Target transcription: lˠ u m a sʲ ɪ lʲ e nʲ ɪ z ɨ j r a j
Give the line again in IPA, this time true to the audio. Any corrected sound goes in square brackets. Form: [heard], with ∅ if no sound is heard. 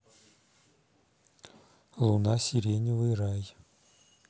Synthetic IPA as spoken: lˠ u [n] a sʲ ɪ [ɾʲ] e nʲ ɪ [v] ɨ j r a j